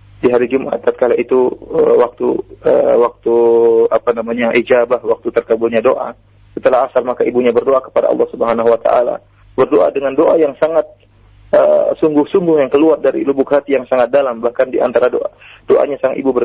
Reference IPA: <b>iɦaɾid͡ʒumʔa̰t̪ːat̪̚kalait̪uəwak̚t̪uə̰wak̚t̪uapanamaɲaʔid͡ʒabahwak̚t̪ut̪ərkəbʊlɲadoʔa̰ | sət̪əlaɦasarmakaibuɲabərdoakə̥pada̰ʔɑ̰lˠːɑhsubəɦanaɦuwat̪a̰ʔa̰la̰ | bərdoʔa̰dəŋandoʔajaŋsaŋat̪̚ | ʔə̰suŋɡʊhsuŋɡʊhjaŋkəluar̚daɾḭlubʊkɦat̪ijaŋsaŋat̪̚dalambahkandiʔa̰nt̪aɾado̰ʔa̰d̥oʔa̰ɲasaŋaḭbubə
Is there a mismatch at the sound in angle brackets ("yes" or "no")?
yes